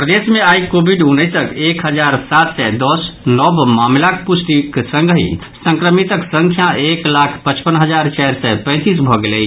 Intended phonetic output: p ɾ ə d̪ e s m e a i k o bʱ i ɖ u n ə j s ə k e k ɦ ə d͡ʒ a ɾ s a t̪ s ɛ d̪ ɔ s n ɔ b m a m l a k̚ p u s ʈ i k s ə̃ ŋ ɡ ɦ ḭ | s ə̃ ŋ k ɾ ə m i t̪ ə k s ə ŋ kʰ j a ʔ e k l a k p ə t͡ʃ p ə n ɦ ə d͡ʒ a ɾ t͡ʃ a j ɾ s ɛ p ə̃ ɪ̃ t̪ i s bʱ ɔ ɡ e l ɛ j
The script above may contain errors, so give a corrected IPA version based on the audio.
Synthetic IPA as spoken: p ɾ ə d̪ e s m e a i k o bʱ i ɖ u n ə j s ə k e k ɦ ə d͡ʒ a ɾ s a t̪ s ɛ d̪ ɔ s n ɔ b m a m l a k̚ p u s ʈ i k s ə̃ ŋ ɡ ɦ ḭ | s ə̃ ŋ k ɾ ə m i t̪ ə k s ə ŋ kʰ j a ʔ e k l a kʰ p ə t͡ʃ p ə n ɦ ə d͡ʒ a ɾ t͡ʃ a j ɾ s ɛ p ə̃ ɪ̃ t̪ i s bʱ ɔ ɡ e l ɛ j